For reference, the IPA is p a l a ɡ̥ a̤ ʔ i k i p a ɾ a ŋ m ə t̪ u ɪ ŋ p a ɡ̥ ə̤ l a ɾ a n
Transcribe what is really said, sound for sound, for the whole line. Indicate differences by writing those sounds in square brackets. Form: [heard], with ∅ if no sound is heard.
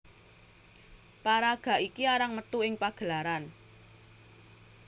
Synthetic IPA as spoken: p a [ɾ] a ɡ̥ a̤ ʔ i k i [∅] a ɾ a ŋ m ə t̪ u ɪ ŋ p a ɡ̥ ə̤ l a ɾ a n